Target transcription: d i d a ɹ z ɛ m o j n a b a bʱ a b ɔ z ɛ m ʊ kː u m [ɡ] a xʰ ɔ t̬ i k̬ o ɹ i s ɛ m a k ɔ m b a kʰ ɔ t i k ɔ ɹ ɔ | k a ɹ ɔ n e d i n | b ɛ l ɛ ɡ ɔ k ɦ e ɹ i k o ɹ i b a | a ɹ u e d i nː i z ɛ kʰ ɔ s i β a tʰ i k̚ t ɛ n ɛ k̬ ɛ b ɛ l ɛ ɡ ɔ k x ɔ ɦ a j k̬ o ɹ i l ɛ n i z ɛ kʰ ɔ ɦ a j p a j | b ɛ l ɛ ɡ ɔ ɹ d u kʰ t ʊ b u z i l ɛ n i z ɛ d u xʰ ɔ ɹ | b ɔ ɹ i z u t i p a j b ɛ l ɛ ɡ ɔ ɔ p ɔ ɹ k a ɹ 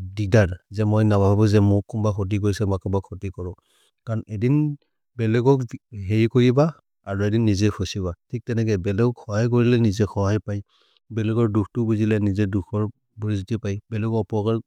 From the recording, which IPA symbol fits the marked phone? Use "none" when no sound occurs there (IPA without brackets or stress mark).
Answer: b